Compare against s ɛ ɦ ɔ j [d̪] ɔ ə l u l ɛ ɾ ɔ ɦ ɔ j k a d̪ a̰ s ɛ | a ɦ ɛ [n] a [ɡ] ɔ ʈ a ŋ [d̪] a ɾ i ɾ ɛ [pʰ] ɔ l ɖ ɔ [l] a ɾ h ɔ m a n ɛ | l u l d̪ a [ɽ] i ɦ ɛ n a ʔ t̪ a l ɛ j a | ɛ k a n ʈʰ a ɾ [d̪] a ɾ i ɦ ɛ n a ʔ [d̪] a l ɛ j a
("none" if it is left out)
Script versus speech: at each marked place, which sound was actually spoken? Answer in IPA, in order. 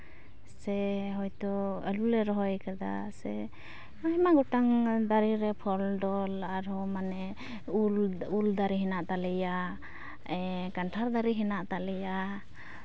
t̪, m, ɡ, d̪, pʰ, l, ɾ, d̪, t̪

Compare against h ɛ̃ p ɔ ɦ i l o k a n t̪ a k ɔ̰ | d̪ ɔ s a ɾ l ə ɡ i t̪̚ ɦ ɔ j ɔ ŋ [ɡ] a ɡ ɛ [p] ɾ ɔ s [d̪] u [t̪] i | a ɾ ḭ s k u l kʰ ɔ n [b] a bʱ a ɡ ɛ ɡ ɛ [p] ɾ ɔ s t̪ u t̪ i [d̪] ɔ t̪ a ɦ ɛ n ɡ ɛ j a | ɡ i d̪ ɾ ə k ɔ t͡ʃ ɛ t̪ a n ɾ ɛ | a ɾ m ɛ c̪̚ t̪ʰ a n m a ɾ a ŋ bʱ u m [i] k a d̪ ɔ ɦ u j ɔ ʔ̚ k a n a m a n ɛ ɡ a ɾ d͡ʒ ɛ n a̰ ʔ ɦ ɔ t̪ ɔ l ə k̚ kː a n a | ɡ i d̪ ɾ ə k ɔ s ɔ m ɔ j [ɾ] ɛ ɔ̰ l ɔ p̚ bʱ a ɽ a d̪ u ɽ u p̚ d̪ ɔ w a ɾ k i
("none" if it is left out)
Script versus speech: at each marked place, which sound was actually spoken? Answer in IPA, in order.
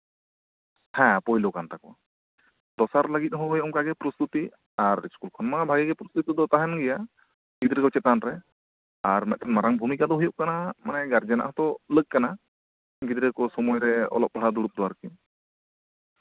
k, p, t̪, t̪, m, p, d̪, i, ɾ

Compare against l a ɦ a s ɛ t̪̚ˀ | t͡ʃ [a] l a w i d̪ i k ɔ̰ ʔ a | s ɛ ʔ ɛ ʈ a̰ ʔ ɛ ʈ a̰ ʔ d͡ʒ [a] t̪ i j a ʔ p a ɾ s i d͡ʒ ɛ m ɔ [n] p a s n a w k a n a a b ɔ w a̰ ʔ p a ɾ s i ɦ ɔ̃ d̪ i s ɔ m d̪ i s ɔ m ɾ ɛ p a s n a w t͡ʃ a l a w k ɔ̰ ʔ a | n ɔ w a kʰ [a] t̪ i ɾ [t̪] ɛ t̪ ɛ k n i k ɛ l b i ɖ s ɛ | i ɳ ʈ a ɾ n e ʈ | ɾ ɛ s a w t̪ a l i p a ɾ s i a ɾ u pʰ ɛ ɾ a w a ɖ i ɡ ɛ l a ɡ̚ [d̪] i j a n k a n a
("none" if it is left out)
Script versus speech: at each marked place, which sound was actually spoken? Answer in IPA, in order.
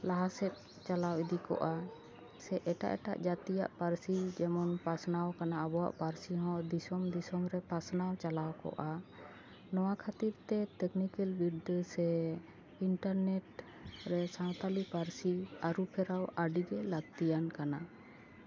a, a, n, a, t̪, t̪

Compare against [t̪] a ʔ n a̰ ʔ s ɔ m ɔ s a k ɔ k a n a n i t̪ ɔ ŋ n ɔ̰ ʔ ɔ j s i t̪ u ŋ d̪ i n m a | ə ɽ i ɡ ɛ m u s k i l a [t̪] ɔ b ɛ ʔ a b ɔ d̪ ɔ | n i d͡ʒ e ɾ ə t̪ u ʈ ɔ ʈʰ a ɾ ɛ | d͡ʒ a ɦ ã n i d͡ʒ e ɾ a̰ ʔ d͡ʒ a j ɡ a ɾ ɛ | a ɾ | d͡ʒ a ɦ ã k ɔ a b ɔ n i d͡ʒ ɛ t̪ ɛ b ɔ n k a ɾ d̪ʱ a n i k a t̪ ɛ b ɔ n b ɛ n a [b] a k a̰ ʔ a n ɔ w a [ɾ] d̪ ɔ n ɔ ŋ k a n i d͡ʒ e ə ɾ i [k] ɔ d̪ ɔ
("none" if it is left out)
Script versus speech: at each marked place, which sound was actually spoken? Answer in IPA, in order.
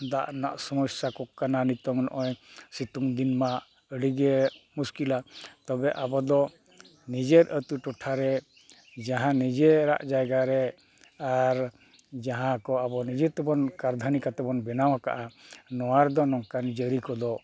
d̪, t̪, w, ɾ, k

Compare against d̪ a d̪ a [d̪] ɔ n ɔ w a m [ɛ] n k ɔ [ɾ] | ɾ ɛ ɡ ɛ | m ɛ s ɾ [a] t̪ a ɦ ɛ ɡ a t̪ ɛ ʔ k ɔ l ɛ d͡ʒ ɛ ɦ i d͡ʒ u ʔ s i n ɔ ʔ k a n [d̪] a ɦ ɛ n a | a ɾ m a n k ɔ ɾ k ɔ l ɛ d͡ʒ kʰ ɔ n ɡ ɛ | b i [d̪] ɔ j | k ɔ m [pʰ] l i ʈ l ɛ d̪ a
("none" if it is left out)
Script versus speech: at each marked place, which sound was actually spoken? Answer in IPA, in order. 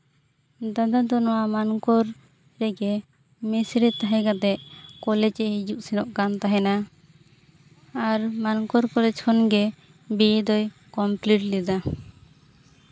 d̪, a, ɾ, ɛ, t̪, d̪, p

